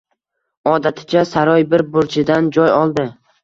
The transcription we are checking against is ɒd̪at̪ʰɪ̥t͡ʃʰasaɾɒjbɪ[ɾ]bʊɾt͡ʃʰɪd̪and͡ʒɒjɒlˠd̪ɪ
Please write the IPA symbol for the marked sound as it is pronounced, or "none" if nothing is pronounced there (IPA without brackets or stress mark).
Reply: ɾ